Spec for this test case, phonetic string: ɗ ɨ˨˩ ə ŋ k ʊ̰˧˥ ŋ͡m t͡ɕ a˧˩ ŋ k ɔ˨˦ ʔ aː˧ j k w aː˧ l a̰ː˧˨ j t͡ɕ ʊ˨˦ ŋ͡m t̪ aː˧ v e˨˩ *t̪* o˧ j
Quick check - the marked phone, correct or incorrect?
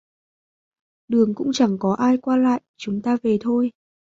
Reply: incorrect